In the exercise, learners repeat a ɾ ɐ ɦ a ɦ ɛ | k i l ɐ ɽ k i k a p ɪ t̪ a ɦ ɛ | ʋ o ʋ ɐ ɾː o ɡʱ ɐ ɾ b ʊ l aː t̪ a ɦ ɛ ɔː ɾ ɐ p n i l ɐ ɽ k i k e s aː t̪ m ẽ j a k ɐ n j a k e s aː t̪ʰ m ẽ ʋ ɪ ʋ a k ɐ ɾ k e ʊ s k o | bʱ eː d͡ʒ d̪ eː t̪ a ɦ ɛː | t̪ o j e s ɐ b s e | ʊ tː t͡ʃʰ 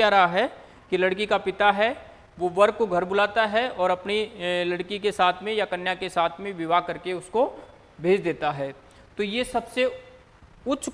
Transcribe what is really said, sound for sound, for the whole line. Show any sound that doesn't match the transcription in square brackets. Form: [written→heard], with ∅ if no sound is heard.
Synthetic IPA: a ɾ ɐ ɦ a ɦ ɛ | k i l ɐ ɽ k i k a p ɪ t̪ a ɦ ɛ | ʋ o ʋ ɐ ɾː o ɡʱ ɐ ɾ b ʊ l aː t̪ a ɦ ɛ ɔː ɾ ɐ p n i l ɐ ɽ k i k e s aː [t̪→t̪ʰ] m ẽ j a k ɐ n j a k e s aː t̪ʰ m ẽ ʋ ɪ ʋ a k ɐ ɾ k e ʊ s k o | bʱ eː d͡ʒ d̪ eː t̪ a ɦ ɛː | t̪ o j e s ɐ b s e | ʊ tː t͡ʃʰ